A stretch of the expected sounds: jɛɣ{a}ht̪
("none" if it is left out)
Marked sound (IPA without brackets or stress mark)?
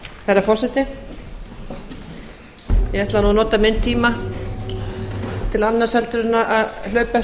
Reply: ɛ